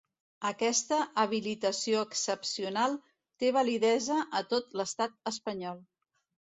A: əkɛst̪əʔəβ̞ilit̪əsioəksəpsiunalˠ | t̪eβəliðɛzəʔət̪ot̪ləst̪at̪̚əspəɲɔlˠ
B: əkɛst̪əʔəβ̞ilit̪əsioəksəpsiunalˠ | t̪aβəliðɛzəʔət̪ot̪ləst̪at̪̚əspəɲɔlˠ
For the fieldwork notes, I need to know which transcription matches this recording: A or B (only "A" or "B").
A